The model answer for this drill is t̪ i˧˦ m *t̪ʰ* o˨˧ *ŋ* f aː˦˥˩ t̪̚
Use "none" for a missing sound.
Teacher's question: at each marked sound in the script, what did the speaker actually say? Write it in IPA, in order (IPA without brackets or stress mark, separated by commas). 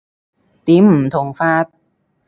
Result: t̪ʰ, ŋ